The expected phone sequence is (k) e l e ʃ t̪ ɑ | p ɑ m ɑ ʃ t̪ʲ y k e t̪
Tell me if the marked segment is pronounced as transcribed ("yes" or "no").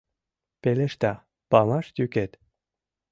no